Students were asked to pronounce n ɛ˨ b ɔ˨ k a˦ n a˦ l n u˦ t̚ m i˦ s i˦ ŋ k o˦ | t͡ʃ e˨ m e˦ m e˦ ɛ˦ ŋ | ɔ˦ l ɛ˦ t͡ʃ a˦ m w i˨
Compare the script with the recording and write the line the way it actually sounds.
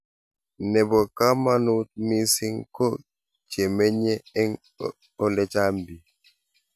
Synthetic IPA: n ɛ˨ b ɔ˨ k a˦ m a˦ n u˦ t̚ m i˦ s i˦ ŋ k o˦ | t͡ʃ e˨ m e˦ ɲ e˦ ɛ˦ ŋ | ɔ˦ l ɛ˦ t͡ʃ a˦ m b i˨

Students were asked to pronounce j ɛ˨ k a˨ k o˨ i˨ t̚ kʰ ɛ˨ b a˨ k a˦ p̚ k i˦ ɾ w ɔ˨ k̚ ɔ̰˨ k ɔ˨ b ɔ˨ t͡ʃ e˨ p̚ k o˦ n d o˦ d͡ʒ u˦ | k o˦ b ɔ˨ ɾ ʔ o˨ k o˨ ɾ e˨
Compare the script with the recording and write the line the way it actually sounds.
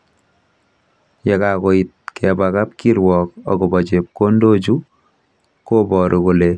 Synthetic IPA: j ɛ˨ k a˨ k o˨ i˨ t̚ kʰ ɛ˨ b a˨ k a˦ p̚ k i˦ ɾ w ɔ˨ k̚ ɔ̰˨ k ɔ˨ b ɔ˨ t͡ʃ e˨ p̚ k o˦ n d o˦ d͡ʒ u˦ | k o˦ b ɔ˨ ɾ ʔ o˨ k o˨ l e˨

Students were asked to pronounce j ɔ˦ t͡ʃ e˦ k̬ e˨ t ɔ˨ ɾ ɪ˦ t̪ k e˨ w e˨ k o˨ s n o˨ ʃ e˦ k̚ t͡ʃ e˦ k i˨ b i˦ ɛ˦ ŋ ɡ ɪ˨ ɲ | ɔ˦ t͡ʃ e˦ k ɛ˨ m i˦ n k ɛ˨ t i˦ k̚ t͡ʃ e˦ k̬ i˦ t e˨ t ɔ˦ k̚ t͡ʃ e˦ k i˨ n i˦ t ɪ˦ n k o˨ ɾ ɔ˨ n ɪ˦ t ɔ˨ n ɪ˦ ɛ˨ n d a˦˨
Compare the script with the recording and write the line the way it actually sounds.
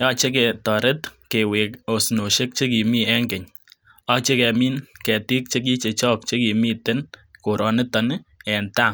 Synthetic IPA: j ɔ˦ t͡ʃ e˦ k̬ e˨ t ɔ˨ ɾ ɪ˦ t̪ k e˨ w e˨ k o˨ s n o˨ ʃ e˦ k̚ t͡ʃ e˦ k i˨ m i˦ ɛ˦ ŋ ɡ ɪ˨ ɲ | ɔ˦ t͡ʃ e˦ k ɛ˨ m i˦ n k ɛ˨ t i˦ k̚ t͡ʃ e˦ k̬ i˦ t͡ʃ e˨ t͡ʃ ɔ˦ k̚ t͡ʃ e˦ k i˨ m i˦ t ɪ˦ n k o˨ ɾ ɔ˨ n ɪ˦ t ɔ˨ n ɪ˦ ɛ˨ n t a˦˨

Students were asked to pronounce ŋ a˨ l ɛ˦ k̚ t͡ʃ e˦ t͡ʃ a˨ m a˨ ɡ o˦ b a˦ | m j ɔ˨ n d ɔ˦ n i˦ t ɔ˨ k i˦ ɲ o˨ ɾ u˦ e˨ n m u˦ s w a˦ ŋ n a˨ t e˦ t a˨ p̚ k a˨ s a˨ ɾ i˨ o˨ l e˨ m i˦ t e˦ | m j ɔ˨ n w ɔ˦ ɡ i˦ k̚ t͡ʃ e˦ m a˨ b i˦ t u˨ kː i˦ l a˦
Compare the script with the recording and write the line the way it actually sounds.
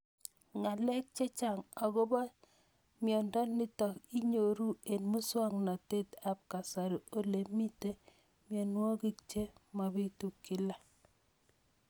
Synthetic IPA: ŋ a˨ l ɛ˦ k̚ t͡ʃ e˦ t͡ʃ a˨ ŋ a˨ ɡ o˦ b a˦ | m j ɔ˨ n d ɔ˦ n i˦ t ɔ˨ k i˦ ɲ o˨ ɾ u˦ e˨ n m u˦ s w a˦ ŋ n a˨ t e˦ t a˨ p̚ k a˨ s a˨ ɾ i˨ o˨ l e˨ m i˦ t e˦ | m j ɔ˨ n w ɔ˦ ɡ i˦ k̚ t͡ʃ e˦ m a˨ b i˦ t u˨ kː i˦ l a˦

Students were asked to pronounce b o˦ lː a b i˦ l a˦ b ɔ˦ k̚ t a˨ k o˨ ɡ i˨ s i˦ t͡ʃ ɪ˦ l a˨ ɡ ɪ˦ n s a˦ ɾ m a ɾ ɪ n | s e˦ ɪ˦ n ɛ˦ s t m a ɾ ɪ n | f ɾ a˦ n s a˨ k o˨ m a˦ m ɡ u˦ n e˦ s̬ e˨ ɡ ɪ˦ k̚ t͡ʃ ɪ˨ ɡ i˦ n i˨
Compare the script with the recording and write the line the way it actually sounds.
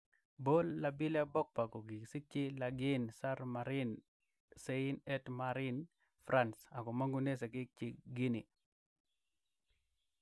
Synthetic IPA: b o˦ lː a b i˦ l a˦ b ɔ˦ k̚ p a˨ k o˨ ɡ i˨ s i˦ t͡ʃ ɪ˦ l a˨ ɡ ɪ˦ n s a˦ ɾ m a ɾ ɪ n | s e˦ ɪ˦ n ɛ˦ t m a ɾ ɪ n | f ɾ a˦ n s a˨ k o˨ m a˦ ŋ ɡ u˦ n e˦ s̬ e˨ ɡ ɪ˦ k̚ t͡ʃ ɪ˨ ɡ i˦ n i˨

